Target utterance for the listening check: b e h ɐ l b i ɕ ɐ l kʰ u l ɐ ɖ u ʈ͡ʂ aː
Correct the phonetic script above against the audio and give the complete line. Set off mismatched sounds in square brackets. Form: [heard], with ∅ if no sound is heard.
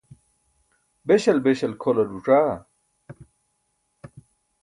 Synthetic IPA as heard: b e [ɕ] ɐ l b [e] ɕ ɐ l kʰ [o] l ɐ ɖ u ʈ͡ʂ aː

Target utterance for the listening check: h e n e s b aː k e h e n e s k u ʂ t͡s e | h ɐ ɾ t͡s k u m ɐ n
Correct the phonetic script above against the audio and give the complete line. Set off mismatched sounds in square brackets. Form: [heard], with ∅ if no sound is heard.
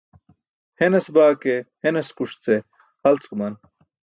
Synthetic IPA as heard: h e n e s b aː k e h e n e s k u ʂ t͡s e | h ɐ [l] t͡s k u m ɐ n

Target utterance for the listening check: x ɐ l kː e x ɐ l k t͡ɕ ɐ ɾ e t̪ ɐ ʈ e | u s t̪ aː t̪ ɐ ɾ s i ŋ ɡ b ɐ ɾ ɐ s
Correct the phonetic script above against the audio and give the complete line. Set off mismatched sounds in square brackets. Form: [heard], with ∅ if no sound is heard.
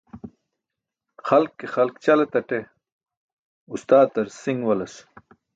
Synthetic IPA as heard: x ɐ l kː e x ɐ l k t͡ɕ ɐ [l] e t̪ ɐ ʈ e | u s t̪ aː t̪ ɐ ɾ s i ŋ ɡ [w] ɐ [l] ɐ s

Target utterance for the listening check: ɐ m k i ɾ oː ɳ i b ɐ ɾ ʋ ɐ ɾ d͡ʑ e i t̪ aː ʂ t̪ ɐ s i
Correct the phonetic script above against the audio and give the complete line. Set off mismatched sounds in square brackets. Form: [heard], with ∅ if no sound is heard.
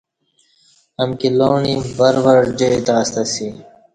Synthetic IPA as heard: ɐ m k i [l] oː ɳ i b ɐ ɾ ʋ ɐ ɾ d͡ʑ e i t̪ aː [s] t̪ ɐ s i

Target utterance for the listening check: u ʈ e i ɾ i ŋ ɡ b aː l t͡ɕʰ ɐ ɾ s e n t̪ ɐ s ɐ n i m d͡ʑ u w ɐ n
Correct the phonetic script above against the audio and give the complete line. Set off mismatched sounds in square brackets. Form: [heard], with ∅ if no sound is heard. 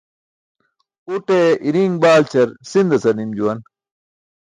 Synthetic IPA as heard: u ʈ e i ɾ i ŋ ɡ b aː l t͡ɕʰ ɐ ɾ s [i] n [d̪] ɐ s ɐ n i m d͡ʑ u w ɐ n

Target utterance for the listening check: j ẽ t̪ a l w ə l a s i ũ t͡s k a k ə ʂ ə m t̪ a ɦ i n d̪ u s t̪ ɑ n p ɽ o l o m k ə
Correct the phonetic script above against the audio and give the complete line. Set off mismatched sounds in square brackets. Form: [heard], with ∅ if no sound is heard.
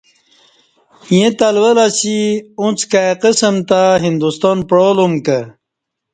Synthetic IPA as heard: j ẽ t̪ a l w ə l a s i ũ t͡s k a [q] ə [s] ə m t̪ a ɦ i n d̪ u s t̪ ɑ n p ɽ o l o m k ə

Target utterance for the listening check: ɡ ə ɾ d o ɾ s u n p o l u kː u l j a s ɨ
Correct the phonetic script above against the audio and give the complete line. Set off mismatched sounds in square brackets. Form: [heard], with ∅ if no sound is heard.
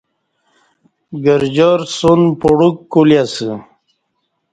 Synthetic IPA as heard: ɡ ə ɾ [d͡ʑ] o ɾ s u n p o [ɽ] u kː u l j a s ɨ

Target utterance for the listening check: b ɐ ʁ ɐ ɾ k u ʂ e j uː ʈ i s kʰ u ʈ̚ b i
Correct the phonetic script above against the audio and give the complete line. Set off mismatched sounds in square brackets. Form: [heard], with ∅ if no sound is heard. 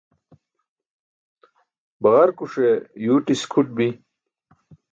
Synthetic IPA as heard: b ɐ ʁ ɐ ɾ k u ʂ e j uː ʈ i s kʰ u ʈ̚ b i

